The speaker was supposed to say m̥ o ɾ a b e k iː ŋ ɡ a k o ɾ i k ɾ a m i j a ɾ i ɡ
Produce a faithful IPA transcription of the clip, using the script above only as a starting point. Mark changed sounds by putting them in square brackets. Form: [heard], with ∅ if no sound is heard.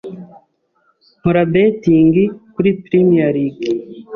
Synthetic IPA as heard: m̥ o ɾ a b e [t] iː ŋ ɡ [i] k [u] ɾ i [p] ɾ [i] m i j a ɾ i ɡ